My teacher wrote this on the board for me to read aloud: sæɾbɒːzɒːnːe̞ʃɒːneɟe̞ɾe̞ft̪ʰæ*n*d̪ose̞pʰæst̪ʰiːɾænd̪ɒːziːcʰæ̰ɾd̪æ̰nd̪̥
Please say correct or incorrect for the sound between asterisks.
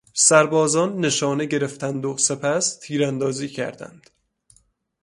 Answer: correct